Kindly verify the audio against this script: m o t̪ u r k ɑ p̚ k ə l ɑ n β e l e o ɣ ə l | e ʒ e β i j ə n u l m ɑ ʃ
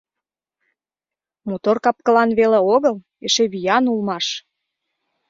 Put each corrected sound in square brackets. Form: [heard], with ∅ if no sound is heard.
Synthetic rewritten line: m o t̪ [o] r k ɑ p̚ k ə l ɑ n β e l e o ɣ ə l | e [ʃ] e β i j [ɑ] n u l m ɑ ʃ